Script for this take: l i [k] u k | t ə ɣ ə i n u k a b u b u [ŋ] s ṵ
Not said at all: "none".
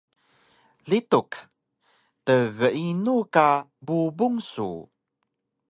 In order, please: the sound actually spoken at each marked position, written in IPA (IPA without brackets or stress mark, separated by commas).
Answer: t, ŋ